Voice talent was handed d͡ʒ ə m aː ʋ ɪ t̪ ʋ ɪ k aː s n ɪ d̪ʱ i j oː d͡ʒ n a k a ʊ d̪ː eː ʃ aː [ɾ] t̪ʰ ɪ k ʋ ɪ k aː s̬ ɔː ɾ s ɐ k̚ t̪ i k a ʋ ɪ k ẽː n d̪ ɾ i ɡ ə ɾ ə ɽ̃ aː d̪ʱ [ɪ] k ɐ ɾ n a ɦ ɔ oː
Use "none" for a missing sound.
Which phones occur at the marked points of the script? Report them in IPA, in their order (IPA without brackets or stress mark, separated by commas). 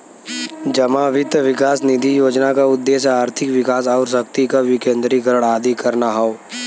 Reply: ɾ, i